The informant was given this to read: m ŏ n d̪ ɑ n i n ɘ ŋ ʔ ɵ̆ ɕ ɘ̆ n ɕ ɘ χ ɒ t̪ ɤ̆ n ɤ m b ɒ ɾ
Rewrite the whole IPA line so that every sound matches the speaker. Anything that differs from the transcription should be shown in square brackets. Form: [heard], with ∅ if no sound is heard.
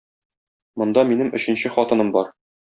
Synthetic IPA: m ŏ n d̪ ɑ [m] i n ɘ [m] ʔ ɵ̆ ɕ ɘ̆ n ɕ ɘ χ ɒ t̪ ɤ̆ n ɤ m b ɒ ɾ